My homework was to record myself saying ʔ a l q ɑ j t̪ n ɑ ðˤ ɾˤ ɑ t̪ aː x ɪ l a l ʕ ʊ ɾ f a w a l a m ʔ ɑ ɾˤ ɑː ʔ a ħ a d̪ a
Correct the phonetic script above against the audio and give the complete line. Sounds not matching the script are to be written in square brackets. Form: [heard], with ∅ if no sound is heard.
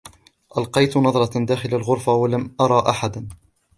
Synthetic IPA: ʔ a l q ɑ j t̪ n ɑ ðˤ ɾˤ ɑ [d̪] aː x ɪ l a l [ɣ] ʊ ɾ f a w a l a m ʔ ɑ ɾˤ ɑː ʔ a ħ a d̪ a

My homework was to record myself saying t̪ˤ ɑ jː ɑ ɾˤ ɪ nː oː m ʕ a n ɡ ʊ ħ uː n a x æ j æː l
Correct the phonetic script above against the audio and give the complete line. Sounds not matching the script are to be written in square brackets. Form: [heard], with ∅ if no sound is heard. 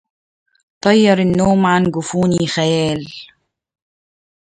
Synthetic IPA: t̪ˤ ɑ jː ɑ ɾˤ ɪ nː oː m ʕ a n ɡ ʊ [f] uː n [i] x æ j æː l

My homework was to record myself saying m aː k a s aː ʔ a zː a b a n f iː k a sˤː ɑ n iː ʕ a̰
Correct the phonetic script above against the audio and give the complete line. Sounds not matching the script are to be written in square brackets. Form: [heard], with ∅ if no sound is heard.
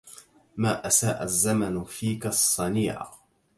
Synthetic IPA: m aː [ʔ] a s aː ʔ a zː a [m] a n f iː k a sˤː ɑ n iː ʕ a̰

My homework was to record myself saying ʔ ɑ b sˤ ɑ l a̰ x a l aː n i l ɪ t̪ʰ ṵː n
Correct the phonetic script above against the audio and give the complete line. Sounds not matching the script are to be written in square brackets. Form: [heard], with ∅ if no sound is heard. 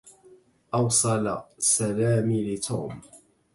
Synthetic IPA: ʔ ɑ [w] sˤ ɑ l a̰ [s] a l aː [m] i l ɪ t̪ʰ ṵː [m]

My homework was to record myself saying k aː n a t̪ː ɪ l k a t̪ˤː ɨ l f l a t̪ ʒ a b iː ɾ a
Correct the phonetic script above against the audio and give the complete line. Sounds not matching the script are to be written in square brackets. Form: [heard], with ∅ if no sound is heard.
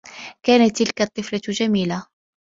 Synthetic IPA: k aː n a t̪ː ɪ l k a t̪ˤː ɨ [∅] f l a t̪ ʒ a [m] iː [l] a

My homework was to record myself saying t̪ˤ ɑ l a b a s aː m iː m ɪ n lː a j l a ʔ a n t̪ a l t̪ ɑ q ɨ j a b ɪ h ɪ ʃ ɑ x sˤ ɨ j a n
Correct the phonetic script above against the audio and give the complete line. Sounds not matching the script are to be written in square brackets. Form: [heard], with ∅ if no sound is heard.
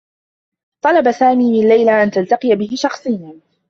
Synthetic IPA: t̪ˤ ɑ l [ɑ] b a s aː m iː m ɪ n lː a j l a ʔ a n t̪ a l t̪ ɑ q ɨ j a b ɪ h ɪ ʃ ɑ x sˤ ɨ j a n

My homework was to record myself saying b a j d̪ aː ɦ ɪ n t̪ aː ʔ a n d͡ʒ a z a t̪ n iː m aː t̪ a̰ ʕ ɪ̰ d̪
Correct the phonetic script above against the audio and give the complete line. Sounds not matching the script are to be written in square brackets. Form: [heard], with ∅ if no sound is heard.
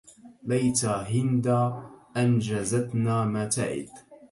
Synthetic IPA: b a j [t̪] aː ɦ ɪ n [d̪] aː ʔ a n d͡ʒ a z a t̪ n [aː] m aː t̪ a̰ ʕ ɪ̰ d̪

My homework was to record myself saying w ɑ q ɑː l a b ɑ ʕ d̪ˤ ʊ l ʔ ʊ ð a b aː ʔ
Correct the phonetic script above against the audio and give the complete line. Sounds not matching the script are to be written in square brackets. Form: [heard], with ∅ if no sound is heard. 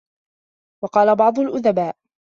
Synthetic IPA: w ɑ q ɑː l a b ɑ ʕ d̪ˤ ʊ l ʔ ʊ ð a b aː ʔ

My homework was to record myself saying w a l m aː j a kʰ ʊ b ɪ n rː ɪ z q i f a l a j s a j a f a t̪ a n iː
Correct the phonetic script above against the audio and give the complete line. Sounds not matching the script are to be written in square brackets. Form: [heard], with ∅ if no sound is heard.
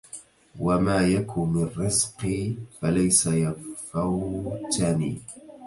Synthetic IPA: w a [∅] m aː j a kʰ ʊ [m] ɪ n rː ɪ z q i f a l a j s a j a f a t̪ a n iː

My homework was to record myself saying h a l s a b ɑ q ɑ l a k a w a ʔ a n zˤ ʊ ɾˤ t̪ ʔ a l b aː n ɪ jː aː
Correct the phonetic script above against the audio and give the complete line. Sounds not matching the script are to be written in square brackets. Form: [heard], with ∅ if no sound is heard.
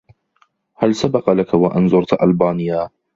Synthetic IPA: h a l s a b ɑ q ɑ l a k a w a ʔ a n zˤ ʊ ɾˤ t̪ ʔ a l b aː n ɪ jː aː

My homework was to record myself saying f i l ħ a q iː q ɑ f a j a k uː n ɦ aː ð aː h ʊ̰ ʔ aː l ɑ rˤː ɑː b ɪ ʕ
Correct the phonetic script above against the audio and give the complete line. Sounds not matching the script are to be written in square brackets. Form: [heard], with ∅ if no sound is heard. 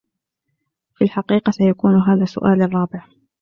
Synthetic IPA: f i l ħ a q iː q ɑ [s] a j a k uː n ɦ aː ð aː [s] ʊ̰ ʔ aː l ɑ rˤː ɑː b ɪ ʕ

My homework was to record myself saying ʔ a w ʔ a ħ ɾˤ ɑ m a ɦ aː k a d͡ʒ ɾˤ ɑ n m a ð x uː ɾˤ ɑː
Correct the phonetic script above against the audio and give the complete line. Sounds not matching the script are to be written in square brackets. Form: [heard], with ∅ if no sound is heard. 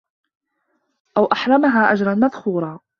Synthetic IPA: ʔ a w ʔ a ħ ɾˤ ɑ m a ɦ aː [ʔ] a d͡ʒ ɾˤ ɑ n m a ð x uː ɾˤ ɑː

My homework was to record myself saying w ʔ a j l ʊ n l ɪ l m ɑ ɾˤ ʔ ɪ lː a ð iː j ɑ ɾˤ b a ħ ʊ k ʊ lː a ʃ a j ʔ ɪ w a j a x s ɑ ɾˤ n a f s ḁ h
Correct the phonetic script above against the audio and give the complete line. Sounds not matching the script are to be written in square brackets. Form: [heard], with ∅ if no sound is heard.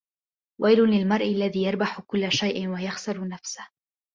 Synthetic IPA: w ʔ a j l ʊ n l ɪ l m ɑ ɾˤ ʔ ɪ lː a ð iː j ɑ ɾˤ b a ħ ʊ k ʊ lː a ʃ a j ʔ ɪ w a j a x s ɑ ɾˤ n a f s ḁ h

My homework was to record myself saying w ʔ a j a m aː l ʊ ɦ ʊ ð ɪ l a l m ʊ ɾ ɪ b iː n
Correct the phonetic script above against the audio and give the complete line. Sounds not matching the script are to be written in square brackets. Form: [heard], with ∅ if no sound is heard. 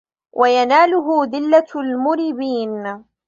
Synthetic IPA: w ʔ a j a [n] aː l ʊ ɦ ʊ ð ɪ [lː] a l m ʊ ɾ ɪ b iː n

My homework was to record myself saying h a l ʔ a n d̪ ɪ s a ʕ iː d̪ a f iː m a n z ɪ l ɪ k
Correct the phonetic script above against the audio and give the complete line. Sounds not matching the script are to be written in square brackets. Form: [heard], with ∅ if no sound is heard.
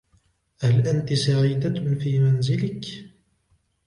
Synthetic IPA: h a l ʔ a n [t̪] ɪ s a ʕ iː d̪ a f iː m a n z ɪ l ɪ k

